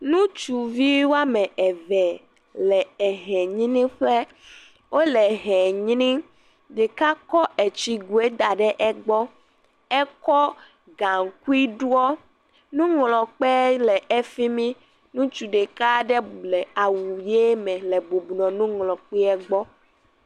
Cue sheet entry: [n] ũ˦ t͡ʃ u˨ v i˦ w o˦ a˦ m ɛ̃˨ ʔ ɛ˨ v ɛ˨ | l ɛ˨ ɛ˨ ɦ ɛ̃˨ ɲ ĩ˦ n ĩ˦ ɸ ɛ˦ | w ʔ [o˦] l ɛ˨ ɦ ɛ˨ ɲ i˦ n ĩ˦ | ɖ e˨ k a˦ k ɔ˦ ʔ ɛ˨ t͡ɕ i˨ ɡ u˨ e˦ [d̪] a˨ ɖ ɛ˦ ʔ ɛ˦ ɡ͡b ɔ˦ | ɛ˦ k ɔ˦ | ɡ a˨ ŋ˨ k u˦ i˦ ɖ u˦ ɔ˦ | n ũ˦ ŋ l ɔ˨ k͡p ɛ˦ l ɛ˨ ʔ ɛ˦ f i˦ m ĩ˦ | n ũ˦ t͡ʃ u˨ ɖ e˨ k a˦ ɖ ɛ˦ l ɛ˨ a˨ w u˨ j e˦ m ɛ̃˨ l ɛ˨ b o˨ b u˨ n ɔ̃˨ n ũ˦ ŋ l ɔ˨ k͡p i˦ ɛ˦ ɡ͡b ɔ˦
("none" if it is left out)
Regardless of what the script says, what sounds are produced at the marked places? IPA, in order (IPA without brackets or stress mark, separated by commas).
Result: n, o˦, d̪